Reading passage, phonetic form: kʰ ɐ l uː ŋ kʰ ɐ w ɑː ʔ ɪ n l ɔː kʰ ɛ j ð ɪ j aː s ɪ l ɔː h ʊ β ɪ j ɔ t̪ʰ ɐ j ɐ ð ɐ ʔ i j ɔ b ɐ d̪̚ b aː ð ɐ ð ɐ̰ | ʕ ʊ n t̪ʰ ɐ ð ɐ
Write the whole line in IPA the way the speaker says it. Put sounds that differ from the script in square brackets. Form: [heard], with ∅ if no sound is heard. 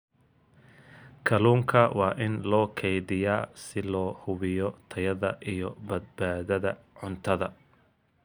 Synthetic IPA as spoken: kʰ ɐ l uː ŋ kʰ ɐ w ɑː ʔ ɪ n l ɔː kʰ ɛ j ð ɪ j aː s ɪ l ɔː h ʊ β ɪ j ɔ t̪ʰ ɐ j ɐ ð ɐ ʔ i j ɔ b ɐ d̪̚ b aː ð ɐ ð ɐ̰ | ʕ ʊ n t̪ʰ ɐ ð ɐ